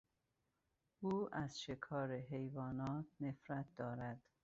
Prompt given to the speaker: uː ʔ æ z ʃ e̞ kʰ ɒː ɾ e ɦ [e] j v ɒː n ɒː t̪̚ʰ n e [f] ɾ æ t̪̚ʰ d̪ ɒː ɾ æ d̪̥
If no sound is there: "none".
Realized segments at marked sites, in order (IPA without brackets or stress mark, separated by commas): e, f